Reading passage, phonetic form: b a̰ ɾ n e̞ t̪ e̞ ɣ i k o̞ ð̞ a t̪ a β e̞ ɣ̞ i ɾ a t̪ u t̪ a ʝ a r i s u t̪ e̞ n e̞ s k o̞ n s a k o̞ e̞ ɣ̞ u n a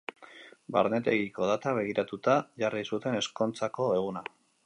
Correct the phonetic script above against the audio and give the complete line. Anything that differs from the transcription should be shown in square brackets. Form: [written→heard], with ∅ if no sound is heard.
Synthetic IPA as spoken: b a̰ ɾ n e̞ t̪ e̞ ɣ i k o̞ ð̞ a t̪ a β e̞ ɣ̞ i ɾ a t̪ u t̪ a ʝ a r i s u t̪ e̞ n e̞ s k o̞ n [s→t͡s] a k o̞ e̞ ɣ̞ u n a